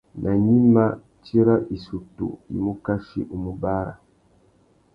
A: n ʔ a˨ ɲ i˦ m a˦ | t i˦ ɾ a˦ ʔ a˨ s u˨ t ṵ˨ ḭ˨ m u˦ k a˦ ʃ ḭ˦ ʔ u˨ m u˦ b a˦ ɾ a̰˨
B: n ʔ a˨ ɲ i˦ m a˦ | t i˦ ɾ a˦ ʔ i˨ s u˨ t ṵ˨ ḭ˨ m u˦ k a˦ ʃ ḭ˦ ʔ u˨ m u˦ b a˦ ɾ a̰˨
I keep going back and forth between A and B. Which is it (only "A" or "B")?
B